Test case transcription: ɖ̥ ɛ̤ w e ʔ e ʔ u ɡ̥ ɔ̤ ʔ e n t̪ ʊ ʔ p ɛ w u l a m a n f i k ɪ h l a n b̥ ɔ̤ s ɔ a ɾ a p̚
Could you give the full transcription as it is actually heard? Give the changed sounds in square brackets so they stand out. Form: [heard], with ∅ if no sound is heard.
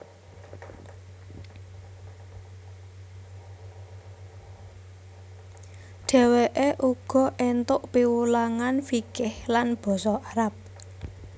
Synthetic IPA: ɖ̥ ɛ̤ w e ʔ e ʔ u ɡ̥ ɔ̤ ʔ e n t̪ ʊ ʔ p [i] w u l a [ŋ] a n f i k ɪ h l a n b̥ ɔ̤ s ɔ a ɾ a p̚